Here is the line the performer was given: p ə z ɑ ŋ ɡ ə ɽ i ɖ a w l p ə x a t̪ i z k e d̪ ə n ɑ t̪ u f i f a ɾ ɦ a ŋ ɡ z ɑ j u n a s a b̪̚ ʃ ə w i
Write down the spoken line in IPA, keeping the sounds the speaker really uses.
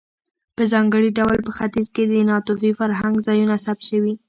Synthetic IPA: p ə z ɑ ŋ ɡ ə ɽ i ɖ a w l p ə x a t̪ i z k e d̪ ə n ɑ t̪ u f i f a ɾ ɦ a ŋ ɡ z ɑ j u n a s a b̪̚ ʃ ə w i